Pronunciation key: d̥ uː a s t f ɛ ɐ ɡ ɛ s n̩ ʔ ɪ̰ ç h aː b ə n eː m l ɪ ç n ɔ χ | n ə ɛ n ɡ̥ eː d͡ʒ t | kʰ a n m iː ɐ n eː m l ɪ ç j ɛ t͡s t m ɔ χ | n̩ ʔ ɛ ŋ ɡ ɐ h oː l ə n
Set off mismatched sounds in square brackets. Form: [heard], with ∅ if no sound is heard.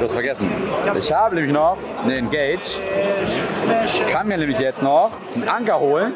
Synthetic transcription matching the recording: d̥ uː a s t f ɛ ɐ ɡ ɛ s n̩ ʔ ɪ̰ ç h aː b ə n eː m l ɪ ç n ɔ χ | n ə ɛ n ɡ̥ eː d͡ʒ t | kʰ a n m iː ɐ n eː m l ɪ ç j ɛ t͡s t [n] ɔ χ | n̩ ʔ [a] ŋ [k] ɐ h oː l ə n